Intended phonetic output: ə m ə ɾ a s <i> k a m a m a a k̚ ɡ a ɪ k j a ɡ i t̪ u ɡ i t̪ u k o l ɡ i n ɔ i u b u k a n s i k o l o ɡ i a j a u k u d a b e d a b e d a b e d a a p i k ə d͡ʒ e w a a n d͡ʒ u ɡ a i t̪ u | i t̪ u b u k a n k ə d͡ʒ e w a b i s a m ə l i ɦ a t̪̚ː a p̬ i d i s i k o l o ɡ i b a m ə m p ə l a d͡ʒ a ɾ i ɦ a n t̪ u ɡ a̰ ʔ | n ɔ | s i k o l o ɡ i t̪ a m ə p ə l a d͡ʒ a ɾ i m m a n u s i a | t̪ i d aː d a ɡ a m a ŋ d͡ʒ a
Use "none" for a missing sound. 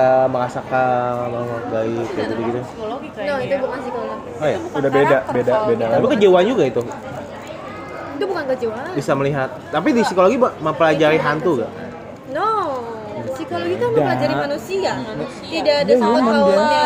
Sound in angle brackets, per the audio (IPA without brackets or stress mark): a